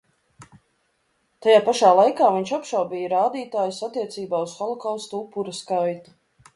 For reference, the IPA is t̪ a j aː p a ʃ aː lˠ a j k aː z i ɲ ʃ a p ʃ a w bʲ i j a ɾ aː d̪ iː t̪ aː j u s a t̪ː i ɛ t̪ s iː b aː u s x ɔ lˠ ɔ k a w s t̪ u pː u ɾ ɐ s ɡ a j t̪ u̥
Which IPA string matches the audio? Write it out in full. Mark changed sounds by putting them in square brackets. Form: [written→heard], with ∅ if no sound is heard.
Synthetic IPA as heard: t̪ a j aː p a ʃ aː lˠ a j k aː [z→v] i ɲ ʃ a p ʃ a w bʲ i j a ɾ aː d̪ iː t̪ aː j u s a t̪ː i ɛ t̪ s iː b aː u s x ɔ lˠ ɔ k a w s t̪ u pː u ɾ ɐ s [ɡ→k] a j t̪ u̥